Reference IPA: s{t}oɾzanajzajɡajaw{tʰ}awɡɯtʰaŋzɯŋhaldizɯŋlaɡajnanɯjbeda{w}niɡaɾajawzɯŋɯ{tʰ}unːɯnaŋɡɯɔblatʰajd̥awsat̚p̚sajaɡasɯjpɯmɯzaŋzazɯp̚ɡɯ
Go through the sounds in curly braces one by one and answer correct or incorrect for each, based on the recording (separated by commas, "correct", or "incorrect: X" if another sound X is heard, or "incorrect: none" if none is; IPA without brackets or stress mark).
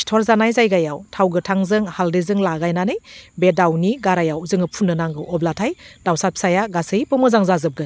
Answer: incorrect: tʰ, correct, correct, incorrect: pʰ